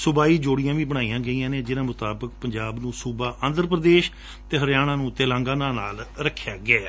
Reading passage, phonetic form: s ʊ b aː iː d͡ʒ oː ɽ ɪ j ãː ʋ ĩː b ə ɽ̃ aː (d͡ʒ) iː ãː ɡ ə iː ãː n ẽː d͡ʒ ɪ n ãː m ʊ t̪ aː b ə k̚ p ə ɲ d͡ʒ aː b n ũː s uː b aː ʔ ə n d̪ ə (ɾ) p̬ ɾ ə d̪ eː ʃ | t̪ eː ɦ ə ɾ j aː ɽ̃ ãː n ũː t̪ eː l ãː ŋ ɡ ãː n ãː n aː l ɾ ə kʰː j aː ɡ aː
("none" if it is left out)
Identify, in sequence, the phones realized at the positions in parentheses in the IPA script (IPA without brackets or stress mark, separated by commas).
none, ɾ